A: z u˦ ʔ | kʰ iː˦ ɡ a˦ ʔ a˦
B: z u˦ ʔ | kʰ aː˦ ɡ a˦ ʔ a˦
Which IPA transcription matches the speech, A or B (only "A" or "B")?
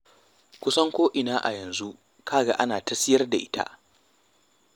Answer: B